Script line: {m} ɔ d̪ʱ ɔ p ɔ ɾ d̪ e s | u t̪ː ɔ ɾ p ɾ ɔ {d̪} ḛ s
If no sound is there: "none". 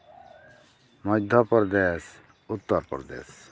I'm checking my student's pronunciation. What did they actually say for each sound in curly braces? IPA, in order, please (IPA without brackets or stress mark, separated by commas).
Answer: m, d̪